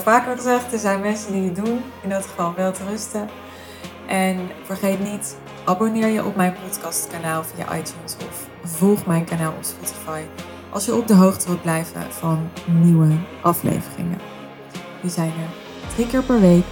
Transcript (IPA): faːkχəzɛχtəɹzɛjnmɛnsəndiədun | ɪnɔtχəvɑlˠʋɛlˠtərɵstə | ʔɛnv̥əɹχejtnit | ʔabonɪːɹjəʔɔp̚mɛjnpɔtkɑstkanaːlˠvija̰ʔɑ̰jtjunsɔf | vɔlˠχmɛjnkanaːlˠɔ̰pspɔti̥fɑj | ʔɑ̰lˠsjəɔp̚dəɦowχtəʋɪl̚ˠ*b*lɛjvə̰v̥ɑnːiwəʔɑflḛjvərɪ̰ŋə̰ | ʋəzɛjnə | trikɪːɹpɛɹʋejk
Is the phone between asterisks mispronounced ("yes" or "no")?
no